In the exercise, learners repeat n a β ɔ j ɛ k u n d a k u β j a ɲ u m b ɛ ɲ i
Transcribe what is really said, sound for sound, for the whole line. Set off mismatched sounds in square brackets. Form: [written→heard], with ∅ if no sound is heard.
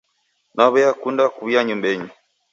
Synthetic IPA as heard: n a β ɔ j [ɛ→a] k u n d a k u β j a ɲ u m b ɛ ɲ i